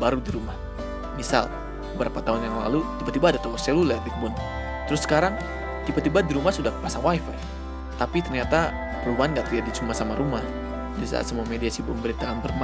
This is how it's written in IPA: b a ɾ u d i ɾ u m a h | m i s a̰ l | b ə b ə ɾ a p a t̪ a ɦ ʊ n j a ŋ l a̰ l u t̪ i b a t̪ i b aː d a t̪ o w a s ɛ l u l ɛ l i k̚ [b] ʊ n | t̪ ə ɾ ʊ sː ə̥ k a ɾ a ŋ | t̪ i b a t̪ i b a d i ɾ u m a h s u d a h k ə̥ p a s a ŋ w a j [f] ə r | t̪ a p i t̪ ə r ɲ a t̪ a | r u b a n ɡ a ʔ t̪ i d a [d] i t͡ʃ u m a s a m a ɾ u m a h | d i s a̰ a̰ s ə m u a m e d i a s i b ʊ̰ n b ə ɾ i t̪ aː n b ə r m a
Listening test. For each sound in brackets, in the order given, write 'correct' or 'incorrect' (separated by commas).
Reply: correct, correct, correct